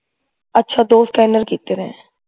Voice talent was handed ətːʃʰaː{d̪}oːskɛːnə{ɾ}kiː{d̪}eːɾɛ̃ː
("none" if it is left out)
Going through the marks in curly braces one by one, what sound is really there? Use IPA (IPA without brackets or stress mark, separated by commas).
d̪, ɾ, t̪